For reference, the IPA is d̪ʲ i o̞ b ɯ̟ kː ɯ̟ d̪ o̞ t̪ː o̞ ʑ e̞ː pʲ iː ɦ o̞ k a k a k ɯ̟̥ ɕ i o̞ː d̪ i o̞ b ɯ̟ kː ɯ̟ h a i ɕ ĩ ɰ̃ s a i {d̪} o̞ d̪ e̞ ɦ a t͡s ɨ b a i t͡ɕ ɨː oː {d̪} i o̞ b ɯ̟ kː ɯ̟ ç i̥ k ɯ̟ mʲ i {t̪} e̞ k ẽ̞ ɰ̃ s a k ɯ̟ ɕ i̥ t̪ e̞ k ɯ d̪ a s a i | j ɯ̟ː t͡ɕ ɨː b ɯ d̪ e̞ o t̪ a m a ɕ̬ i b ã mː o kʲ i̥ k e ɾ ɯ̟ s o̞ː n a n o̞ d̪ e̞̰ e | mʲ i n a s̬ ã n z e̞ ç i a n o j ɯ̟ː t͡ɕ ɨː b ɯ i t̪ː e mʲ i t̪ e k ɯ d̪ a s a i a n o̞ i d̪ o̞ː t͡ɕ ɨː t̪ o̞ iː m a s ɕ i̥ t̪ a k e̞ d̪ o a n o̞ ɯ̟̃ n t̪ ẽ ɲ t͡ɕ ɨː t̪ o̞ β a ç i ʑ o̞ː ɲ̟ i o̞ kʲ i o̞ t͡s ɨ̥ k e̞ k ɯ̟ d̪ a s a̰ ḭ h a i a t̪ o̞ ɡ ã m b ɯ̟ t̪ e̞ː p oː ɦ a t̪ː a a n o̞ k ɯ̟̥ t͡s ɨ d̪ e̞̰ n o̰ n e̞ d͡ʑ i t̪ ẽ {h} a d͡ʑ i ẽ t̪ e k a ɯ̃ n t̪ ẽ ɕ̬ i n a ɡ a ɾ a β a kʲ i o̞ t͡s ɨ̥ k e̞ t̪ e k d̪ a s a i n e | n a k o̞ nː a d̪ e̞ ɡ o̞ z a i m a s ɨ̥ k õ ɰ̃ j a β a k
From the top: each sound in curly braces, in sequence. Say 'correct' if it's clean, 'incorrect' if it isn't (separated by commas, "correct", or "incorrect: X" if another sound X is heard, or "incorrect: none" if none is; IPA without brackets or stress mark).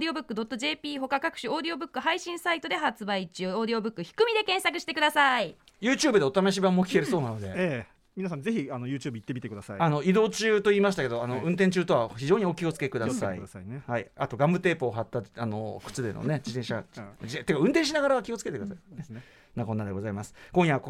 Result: incorrect: t̪, correct, incorrect: d̪, incorrect: ɕ